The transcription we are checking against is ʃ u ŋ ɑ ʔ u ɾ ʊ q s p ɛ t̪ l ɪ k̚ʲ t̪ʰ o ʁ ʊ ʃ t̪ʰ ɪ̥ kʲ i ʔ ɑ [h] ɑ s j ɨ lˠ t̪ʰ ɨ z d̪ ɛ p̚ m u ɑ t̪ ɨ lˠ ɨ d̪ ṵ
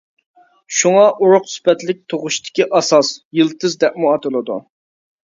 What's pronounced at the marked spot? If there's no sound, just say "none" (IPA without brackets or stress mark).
s